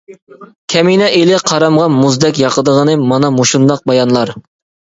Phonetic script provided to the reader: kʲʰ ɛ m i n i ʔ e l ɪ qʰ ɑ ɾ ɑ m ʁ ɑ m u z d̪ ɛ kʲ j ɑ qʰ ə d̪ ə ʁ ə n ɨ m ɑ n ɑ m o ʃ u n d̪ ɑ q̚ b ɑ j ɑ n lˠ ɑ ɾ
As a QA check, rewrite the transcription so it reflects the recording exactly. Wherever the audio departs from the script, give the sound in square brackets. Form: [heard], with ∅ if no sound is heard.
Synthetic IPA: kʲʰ ɛ m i n [ɛ] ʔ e l ɪ qʰ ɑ ɾ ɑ m ʁ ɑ m u z d̪ ɛ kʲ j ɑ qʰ ə d̪ ə ʁ ə n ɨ m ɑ n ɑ m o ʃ u n d̪ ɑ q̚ b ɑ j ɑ n lˠ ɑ ɾ

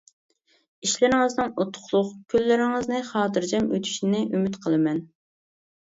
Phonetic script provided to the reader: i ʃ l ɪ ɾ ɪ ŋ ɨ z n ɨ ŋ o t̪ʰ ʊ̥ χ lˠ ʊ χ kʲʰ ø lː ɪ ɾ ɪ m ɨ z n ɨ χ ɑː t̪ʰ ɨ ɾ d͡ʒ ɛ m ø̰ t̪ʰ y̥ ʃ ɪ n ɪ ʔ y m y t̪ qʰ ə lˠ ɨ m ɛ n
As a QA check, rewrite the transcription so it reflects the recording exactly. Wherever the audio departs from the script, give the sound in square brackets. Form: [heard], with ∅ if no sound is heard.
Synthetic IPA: i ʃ l ɪ ɾ ɪ ŋ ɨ z n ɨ ŋ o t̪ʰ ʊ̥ χ lˠ ʊ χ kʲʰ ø lː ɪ ɾ ɪ [ŋ] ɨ z n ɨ χ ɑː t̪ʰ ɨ ɾ d͡ʒ ɛ m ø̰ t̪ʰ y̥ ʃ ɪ n ɪ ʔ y m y t̪ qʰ ə lˠ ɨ m ɛ n

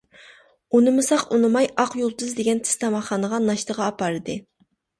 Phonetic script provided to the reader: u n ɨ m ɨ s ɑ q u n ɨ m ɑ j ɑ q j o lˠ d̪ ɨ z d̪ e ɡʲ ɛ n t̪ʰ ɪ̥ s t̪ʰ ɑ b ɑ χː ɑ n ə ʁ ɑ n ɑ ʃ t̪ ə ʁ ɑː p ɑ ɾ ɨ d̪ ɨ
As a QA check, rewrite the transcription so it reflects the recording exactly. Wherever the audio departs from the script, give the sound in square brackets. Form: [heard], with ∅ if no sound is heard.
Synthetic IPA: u n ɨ m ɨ s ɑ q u n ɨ m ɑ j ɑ q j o lˠ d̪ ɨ z d̪ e ɡʲ ɛ n t̪ʰ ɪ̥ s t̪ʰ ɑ [m] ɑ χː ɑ n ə ʁ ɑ n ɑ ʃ t̪ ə ʁ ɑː p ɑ ɾ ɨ d̪ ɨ

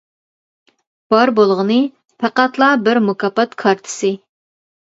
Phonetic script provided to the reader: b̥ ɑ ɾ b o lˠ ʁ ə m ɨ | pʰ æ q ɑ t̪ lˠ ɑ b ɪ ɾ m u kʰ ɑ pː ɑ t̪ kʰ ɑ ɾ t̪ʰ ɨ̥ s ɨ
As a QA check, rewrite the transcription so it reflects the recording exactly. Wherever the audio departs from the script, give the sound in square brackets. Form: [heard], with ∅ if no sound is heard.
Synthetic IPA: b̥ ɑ ɾ b o lˠ ʁ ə [n] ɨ | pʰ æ q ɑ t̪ lˠ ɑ b ɪ ɾ m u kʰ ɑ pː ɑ t̪ kʰ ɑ ɾ t̪ʰ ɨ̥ s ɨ

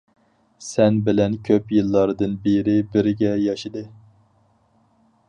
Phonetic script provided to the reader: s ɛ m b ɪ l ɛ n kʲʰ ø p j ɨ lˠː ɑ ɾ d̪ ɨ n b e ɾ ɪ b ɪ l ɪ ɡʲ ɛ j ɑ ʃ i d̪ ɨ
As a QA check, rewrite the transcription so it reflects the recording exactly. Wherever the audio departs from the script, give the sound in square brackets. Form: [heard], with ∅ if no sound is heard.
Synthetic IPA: s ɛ [n] b ɪ l ɛ n kʲʰ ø p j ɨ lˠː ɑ ɾ d̪ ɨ n b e ɾ ɪ b ɪ [ɾ] ɪ ɡʲ ɛ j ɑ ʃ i d̪ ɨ

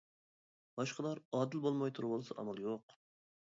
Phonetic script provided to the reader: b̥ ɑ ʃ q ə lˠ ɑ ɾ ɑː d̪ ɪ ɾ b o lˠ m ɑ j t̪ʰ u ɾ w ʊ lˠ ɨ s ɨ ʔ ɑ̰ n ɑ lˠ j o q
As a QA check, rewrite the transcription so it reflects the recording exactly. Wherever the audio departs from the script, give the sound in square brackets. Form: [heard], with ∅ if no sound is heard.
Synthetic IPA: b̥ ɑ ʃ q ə lˠ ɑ ɾ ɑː d̪ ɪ [l] b o lˠ m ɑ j t̪ʰ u ɾ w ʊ lˠ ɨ s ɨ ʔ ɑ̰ [m] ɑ lˠ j o q

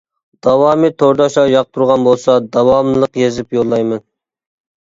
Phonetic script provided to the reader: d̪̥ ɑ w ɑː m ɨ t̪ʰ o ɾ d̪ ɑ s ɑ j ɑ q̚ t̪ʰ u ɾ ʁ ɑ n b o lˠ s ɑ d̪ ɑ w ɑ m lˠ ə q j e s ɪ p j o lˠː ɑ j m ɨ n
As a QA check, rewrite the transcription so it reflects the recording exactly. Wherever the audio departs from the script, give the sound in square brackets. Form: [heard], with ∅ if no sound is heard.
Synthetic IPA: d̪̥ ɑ w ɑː m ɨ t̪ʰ o ɾ d̪ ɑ [ʃ] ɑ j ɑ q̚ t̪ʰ u ɾ ʁ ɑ n b o lˠ s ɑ d̪ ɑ w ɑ m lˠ ə q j e [z] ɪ p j o lˠː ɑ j m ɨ n

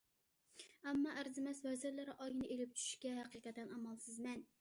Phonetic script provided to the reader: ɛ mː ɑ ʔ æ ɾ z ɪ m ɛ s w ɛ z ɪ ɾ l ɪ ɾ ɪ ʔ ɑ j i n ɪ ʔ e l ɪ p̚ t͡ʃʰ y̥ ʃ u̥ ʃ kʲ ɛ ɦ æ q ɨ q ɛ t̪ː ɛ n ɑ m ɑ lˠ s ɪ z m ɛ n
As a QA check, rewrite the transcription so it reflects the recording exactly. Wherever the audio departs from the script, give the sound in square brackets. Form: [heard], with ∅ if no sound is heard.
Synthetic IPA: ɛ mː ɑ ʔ æ ɾ z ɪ m ɛ s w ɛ z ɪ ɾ l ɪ ɾ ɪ ʔ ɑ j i n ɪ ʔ e l ɪ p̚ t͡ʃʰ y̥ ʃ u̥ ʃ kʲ ɛ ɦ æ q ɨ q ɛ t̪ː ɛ n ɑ m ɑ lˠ s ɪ z m ɛ n

